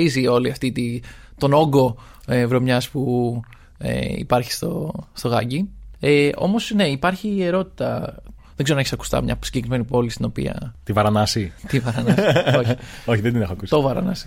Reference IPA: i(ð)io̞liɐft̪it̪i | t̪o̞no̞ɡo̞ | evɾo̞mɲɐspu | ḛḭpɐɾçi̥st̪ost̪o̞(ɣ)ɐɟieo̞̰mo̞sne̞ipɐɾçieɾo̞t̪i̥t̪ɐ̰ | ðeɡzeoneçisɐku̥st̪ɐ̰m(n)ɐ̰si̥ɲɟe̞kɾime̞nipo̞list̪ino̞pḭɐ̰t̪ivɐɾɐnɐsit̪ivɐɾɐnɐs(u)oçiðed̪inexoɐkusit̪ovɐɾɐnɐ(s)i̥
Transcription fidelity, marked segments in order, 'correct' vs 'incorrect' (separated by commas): incorrect, correct, incorrect, incorrect, correct